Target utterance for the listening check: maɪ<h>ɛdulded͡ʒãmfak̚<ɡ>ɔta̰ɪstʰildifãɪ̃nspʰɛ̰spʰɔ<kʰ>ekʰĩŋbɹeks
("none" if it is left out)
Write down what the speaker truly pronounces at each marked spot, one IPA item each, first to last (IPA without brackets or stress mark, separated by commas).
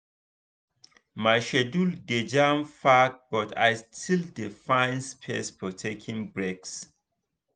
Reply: ʃ, b, tʰ